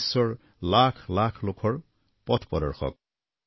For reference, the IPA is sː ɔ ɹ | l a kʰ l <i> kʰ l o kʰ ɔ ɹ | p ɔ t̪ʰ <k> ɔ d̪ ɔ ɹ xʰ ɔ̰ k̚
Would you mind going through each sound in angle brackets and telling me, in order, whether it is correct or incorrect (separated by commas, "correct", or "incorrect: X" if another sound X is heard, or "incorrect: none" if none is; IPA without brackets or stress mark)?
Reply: incorrect: a, incorrect: p